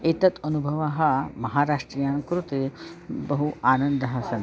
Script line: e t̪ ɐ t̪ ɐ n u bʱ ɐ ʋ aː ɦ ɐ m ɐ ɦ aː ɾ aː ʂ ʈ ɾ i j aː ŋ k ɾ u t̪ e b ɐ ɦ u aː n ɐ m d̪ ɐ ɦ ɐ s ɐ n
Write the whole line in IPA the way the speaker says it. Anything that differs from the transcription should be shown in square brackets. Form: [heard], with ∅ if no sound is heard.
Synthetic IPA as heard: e t̪ ɐ t̪ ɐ n u bʱ ɐ ʋ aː ɦ ɐ m ɐ ɦ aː ɾ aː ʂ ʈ ɾ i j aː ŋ k ɾ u t̪ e b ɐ ɦ u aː n ɐ [n] d̪ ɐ ɦ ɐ s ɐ n